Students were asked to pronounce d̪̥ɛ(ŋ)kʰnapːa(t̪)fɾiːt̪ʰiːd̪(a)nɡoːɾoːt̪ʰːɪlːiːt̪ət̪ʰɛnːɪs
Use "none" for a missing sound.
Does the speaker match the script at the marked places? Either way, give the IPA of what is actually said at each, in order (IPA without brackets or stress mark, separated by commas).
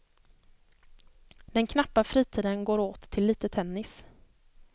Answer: n, none, ə